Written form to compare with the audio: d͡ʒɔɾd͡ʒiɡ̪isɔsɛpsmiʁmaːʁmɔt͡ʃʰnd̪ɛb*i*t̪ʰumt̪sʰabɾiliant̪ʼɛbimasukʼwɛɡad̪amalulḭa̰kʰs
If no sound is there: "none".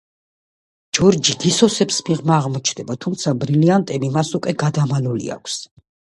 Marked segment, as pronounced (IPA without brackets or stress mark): a